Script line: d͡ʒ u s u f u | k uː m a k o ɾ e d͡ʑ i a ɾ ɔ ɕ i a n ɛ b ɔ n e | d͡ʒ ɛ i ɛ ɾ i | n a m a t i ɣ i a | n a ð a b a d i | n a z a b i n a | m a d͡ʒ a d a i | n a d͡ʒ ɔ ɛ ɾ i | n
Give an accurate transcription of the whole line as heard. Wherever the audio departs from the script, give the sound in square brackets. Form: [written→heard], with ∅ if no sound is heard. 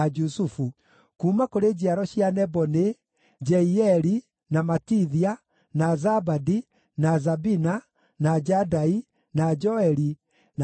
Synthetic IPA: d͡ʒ u s u f u | k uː m a k o ɾ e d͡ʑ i a ɾ ɔ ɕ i a n ɛ b ɔ n e | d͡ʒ ɛ i ɛ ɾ i | n a m a t i [ɣ→ð] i a | n a [ð→z] a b a d i | n a z a b i n a | [m→n] a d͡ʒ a d a i | n a d͡ʒ ɔ ɛ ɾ i | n